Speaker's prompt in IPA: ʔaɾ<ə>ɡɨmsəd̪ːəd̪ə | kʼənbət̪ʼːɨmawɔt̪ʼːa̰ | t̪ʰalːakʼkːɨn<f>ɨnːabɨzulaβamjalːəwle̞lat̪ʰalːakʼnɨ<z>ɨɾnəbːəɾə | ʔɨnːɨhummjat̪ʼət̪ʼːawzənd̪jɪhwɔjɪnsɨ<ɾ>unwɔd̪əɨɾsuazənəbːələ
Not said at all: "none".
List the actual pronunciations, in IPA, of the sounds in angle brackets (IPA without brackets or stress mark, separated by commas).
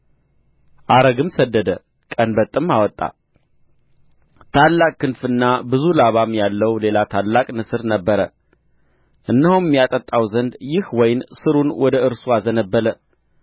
ə, f, s, ɾ